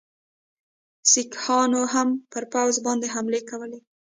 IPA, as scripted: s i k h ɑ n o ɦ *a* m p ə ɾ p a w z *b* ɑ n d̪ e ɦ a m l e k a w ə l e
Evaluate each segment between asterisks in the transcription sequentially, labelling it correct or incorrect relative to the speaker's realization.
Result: correct, correct

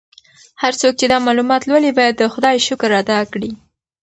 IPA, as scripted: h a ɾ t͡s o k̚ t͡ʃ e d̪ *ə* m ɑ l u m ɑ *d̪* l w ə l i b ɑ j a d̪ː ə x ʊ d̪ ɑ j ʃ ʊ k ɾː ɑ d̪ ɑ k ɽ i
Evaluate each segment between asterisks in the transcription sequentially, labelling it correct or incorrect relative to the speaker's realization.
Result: incorrect: ɑ, incorrect: t̪

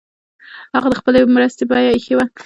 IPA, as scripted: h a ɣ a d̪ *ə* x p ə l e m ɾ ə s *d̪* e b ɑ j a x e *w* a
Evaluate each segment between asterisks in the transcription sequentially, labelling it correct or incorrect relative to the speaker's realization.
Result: correct, incorrect: t̪, correct

